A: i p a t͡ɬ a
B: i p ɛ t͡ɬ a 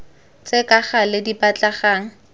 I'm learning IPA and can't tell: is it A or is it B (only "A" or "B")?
A